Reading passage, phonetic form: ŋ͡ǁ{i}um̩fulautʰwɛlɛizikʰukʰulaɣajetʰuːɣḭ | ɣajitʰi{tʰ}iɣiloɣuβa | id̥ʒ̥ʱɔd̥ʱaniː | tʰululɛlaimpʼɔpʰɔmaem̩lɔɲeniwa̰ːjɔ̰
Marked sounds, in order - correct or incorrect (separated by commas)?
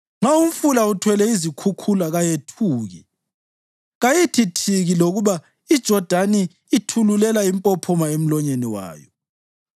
incorrect, correct